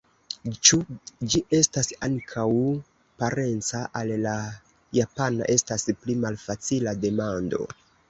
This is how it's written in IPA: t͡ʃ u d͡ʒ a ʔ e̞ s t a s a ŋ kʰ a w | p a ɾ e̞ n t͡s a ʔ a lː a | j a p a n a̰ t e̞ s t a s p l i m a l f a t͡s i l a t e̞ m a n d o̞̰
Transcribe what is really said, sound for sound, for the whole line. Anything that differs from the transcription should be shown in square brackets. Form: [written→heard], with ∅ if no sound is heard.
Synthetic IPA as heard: t͡ʃ u d͡ʒ [a→i] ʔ e̞ s t a s a ŋ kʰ a w | p a ɾ e̞ n t͡s a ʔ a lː a | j a p a n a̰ [t→ʔ] e̞ s t a s p l i m a l f a t͡s i l a [t→d] e̞ m a n d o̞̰